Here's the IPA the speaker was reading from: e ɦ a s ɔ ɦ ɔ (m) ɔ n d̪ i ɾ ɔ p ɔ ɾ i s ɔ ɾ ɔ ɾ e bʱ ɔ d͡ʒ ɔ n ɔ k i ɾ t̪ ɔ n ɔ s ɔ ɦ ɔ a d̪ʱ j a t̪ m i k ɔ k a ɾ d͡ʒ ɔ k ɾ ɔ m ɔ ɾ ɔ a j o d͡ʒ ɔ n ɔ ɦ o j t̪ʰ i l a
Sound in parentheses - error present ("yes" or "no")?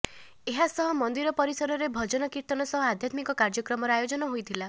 no